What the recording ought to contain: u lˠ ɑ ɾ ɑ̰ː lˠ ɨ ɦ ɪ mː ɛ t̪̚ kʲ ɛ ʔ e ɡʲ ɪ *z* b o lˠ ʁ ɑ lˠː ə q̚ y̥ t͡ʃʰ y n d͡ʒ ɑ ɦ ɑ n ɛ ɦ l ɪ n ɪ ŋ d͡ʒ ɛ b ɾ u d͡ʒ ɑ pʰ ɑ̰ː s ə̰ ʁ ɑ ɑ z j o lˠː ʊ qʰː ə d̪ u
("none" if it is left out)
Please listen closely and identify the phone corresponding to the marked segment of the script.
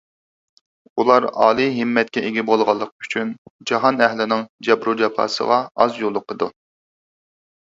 none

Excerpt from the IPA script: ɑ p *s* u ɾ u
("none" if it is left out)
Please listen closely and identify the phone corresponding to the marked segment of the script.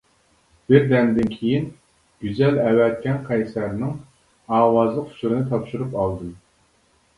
ʃ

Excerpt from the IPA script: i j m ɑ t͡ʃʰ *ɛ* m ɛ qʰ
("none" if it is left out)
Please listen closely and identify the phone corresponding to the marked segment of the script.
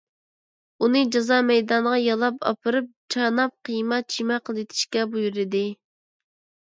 i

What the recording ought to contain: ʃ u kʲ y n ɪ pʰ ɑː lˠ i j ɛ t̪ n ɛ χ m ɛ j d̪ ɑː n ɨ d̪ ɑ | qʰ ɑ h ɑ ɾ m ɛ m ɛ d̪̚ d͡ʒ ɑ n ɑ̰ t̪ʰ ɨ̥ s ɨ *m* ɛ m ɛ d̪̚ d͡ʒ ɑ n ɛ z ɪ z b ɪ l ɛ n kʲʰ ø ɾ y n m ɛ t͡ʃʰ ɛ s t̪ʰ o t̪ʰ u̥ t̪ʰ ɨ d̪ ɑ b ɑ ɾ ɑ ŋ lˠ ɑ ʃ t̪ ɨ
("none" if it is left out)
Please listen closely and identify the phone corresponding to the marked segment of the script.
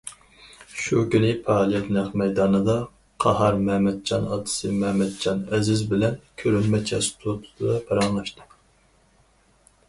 m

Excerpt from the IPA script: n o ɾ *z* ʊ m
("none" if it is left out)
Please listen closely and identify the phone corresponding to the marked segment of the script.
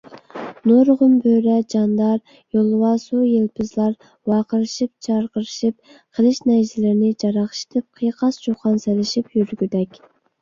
ʁ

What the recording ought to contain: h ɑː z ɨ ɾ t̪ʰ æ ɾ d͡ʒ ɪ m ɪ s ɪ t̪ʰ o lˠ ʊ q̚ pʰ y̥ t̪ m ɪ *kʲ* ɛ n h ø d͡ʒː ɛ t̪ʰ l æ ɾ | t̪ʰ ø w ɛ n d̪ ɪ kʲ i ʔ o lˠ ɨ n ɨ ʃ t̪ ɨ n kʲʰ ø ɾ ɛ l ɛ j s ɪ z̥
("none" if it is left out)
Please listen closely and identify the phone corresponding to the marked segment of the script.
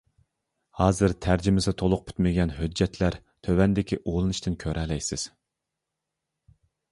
ɡʲ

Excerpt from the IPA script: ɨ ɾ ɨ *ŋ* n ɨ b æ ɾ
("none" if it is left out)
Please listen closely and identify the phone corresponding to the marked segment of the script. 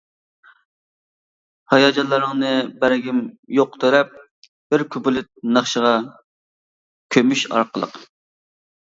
ŋ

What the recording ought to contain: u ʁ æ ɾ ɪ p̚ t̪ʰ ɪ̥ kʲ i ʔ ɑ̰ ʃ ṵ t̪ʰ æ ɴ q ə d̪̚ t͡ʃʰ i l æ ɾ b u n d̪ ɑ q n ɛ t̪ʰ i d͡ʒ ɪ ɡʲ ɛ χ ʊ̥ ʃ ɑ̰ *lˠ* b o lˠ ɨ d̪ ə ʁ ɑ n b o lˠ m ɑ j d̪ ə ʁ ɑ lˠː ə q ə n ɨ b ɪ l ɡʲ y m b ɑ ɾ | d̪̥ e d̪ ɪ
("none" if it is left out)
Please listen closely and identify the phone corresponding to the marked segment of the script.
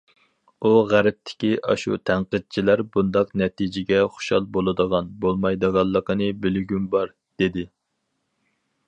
lˠ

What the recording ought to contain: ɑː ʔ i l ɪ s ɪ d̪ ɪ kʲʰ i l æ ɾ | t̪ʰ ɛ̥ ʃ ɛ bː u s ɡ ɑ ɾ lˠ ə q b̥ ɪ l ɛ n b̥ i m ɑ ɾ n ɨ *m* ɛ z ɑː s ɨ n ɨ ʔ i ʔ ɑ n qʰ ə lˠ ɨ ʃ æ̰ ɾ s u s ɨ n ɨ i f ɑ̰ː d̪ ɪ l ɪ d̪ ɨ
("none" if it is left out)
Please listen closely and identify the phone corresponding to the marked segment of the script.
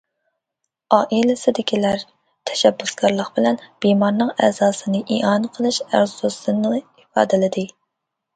ŋ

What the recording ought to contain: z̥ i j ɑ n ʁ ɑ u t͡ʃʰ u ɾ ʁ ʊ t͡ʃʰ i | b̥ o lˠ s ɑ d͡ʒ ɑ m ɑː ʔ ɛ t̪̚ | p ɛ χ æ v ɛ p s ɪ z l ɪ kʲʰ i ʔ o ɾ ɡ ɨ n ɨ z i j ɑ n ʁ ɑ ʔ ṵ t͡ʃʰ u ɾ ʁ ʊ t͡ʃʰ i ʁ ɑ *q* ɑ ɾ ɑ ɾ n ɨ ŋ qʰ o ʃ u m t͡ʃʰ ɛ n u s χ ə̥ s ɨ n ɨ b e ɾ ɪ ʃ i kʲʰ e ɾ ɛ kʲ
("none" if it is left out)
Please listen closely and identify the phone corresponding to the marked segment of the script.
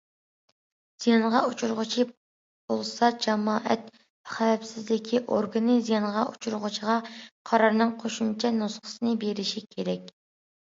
qʰ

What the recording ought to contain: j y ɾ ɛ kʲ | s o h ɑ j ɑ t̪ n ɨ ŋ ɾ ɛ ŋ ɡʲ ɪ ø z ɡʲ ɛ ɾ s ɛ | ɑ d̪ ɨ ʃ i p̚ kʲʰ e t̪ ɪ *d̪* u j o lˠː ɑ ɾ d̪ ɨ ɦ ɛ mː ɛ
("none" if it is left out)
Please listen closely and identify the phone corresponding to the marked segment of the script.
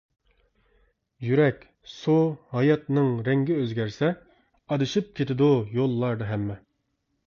d̪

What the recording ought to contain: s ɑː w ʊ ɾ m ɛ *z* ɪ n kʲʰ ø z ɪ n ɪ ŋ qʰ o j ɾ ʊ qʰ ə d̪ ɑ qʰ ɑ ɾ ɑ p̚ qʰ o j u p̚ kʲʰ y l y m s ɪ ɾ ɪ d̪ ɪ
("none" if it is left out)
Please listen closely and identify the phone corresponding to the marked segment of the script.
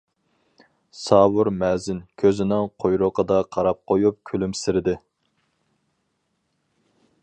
z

